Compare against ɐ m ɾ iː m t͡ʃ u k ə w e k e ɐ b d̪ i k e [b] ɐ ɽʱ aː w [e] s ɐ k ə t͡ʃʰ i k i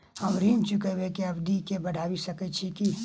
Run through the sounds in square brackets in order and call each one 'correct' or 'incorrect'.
correct, incorrect: i

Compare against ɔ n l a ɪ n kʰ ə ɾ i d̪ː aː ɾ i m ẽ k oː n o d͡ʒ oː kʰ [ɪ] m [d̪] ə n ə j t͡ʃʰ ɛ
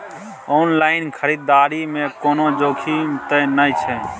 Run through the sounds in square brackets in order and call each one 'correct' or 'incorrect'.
incorrect: i, incorrect: t̪

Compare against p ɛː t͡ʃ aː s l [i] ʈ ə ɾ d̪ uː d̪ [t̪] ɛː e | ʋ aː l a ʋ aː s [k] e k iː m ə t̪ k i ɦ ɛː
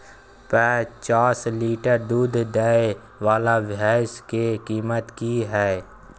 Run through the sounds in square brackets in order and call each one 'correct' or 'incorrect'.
incorrect: iː, incorrect: d̪, correct

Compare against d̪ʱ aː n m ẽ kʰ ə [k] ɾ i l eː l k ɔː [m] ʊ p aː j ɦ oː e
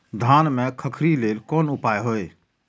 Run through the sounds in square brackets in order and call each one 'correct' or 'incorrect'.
incorrect: kʰ, incorrect: n

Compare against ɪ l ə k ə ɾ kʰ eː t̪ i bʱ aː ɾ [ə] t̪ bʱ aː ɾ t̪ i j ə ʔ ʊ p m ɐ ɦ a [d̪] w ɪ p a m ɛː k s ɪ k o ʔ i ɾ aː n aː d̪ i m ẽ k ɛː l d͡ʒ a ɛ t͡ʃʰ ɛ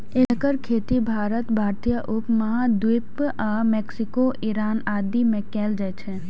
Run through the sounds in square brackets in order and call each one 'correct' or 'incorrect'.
correct, correct

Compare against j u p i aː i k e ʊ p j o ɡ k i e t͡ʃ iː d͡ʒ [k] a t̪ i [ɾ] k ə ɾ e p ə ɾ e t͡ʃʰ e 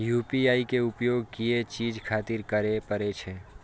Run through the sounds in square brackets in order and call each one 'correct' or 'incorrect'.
incorrect: kʰ, correct

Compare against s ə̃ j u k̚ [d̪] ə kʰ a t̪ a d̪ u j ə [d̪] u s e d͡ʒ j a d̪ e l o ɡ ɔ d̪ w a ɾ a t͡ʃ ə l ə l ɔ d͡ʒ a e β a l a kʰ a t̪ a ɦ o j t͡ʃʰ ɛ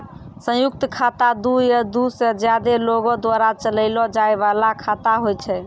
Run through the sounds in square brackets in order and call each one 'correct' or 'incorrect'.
incorrect: t̪, correct

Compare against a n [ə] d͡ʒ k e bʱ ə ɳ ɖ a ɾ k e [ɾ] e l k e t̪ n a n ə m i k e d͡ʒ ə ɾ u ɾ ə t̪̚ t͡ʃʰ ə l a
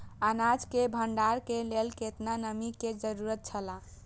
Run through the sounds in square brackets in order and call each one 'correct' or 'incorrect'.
incorrect: a, incorrect: l

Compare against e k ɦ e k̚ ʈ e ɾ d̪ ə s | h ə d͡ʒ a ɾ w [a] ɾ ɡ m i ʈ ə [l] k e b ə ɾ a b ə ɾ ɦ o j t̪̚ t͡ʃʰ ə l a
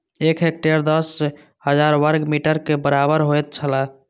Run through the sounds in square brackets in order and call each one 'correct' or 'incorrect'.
incorrect: ə, incorrect: ɾ

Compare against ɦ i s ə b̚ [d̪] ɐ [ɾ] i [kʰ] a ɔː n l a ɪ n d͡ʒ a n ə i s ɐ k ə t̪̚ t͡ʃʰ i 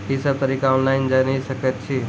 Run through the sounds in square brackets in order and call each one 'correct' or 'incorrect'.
incorrect: t̪, correct, incorrect: k

